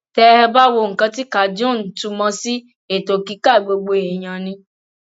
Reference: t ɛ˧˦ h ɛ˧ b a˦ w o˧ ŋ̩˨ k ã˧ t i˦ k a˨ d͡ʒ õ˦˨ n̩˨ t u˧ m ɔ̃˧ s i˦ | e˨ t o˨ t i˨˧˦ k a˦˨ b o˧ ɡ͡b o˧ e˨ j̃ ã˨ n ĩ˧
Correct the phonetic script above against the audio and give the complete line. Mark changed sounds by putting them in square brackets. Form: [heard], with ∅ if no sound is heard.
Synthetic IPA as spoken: t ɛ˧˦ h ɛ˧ b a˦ w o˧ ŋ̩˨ k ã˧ t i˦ k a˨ d͡ʒ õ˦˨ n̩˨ t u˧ m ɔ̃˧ s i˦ | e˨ t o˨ [k] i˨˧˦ k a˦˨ [ɡ͡b] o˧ ɡ͡b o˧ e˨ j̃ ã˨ n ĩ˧